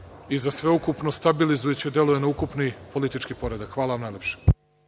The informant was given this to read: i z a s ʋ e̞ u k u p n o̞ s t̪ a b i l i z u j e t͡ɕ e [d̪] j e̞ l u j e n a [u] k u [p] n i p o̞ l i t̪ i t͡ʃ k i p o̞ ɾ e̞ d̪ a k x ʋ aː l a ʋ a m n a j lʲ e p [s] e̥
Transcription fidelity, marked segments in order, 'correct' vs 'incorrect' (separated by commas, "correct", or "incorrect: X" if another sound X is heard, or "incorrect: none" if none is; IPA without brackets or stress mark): correct, correct, correct, incorrect: ʃ